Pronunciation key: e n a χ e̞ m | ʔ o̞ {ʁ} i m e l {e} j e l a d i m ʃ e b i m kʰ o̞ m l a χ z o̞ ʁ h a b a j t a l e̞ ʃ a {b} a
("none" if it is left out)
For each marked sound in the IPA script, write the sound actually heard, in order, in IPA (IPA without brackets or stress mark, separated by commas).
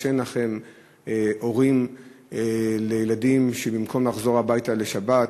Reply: ʁ, e, b